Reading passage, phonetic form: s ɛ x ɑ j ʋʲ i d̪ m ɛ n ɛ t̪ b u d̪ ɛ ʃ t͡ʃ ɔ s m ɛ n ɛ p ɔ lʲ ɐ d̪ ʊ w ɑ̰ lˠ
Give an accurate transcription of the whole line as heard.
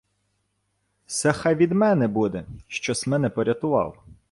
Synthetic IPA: s ɛ x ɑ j ʋʲ i d̪ m ɛ n ɛ b u d̪ ɛ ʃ t͡ʃ ɔ s m ɛ n ɛ p ɔ ɾʲ ɐ t̪ ʊ ʋ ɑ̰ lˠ